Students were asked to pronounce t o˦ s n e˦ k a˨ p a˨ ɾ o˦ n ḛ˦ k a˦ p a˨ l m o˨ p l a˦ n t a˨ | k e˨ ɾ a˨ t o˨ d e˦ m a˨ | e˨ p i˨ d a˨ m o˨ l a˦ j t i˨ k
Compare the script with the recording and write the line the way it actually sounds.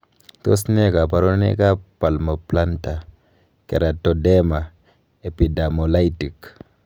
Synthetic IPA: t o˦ s n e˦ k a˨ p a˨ ɾ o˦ n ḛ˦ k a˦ p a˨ l m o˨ p l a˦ n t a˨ | k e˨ ɾ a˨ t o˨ d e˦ m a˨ | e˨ p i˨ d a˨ m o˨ l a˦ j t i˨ k

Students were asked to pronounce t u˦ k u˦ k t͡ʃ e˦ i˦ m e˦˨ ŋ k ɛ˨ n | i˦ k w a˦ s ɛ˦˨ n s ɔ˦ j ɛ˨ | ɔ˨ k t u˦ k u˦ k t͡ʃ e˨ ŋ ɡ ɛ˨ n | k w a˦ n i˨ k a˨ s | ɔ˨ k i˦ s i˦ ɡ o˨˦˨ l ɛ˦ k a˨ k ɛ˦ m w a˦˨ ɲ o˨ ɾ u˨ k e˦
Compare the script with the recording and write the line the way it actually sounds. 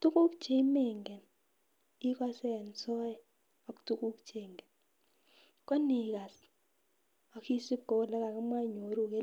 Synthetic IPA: t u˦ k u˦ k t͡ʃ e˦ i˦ m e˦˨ ŋ ɡ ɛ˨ n | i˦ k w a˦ s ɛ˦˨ n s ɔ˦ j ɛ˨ | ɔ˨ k t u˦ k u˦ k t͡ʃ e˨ ŋ ɡ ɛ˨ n | k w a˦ n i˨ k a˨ s | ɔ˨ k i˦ s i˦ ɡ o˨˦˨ l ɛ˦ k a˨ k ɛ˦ m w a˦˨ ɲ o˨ ɾ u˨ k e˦

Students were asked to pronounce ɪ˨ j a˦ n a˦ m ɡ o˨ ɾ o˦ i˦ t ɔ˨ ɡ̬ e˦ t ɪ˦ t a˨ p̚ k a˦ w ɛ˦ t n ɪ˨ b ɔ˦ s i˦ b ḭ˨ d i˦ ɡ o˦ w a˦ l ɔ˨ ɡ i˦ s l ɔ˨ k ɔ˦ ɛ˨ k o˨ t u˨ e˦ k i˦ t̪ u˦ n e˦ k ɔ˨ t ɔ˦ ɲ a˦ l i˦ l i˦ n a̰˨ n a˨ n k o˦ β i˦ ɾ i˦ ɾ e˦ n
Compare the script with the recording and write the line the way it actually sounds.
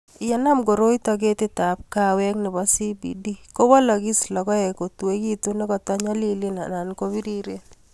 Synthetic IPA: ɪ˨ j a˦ n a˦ m ɡ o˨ ɾ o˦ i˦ t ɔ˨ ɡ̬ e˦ t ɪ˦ t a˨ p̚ k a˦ w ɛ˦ k n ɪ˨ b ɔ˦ s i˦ b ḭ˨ d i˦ k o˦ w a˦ l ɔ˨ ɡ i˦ s l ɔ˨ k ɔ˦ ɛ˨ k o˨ t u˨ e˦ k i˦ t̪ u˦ n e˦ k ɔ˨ t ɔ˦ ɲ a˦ l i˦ l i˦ n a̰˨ n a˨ n k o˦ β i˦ ɾ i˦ ɾ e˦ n

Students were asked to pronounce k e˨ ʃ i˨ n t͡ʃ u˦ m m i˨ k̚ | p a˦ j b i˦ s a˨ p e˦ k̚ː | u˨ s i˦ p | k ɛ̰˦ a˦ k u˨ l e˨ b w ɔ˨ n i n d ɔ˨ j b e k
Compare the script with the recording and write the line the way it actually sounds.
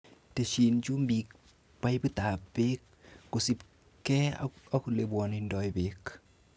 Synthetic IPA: t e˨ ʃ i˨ n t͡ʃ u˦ m b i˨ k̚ | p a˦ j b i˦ t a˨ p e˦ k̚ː | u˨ s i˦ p | k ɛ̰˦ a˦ k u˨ l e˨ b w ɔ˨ n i n d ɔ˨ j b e k

